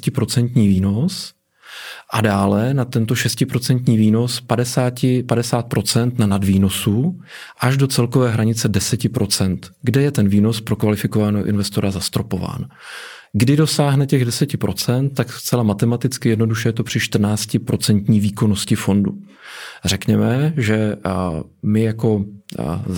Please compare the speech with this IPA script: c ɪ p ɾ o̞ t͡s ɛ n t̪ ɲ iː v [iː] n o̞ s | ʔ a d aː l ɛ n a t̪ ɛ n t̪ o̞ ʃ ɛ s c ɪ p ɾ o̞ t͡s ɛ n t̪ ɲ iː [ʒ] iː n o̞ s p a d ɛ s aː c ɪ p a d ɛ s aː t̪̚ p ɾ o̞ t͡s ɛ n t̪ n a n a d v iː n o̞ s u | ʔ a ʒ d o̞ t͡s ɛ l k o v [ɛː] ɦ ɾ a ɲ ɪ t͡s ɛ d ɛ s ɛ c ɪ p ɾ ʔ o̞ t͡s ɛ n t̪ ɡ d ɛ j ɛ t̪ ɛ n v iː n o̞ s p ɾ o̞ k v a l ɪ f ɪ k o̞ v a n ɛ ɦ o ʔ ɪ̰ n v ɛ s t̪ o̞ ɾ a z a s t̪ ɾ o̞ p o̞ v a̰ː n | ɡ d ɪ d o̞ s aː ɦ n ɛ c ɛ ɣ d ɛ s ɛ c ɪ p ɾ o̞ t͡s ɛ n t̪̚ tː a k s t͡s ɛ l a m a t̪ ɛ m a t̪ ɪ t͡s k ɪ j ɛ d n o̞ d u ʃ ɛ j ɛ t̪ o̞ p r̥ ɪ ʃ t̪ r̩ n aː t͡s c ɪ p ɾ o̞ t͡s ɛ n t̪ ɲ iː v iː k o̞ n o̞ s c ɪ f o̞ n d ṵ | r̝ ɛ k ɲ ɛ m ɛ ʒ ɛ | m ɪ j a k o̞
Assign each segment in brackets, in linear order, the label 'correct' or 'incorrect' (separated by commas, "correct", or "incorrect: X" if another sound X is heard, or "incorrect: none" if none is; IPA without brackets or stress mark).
correct, incorrect: v, correct